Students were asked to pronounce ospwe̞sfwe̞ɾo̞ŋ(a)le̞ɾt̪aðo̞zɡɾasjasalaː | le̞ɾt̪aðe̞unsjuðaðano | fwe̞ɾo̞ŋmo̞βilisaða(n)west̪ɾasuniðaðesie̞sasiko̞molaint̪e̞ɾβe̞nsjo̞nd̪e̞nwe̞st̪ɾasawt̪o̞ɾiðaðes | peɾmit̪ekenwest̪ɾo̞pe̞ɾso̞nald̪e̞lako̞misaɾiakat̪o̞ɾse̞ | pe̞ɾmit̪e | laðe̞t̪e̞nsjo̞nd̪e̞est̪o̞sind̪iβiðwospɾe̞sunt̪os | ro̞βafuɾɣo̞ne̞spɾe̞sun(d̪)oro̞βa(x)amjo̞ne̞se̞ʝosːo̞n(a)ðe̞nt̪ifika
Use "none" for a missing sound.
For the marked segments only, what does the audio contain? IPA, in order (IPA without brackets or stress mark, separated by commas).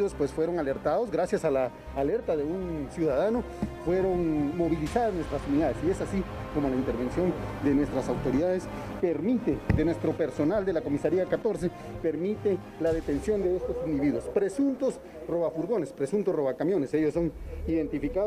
a, n, t̪, k, i